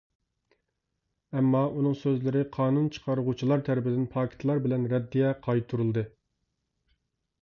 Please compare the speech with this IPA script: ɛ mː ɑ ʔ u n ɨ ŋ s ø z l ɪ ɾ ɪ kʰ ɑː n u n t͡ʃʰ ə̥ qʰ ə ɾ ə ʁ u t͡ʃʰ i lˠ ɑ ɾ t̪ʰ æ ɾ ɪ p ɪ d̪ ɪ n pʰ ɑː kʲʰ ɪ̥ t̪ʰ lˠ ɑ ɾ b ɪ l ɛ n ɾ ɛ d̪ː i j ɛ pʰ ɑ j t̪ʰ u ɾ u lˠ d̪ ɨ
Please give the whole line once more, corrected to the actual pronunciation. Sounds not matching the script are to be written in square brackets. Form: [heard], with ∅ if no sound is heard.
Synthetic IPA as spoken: ɛ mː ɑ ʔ u n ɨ ŋ s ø z l ɪ ɾ ɪ [qʰ] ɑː n u n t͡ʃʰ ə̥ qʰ [ɑ] ɾ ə ʁ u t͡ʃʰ i lˠ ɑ ɾ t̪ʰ æ ɾ ɪ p ɪ d̪ ɪ n pʰ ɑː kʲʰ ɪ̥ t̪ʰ lˠ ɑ ɾ b ɪ l ɛ n ɾ ɛ d̪ː i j ɛ [qʰ] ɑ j t̪ʰ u ɾ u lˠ d̪ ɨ